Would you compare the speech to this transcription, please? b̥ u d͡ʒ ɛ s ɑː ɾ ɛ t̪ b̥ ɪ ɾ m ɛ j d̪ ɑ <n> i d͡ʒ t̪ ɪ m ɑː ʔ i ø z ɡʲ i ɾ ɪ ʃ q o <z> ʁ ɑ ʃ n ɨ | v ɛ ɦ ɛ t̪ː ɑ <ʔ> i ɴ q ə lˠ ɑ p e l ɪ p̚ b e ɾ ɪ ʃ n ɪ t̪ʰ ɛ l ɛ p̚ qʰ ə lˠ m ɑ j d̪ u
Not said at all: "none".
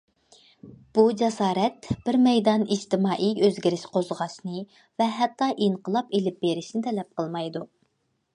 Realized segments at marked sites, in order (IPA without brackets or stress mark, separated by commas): n, z, ʔ